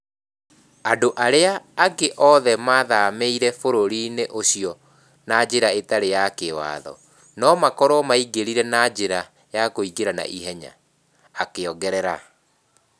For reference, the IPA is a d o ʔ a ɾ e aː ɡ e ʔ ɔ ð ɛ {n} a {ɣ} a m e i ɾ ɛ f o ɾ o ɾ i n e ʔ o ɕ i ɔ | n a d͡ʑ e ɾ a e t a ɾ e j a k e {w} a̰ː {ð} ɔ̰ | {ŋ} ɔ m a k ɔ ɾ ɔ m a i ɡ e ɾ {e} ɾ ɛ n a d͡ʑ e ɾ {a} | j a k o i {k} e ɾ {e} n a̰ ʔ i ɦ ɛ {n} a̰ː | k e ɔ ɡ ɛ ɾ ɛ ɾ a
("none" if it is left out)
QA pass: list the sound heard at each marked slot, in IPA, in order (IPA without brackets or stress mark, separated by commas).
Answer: m, ð, w, ð, n, i, a, ɡ, a, ɲ